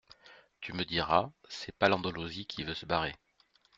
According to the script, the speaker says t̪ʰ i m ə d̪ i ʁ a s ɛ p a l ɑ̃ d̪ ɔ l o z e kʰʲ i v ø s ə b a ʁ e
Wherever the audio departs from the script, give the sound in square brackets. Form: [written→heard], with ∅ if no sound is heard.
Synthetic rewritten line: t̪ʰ [i→y] m ə d̪ i ʁ a s ɛ p a l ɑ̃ d̪ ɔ l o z [e→i] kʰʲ i v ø s ə b a ʁ e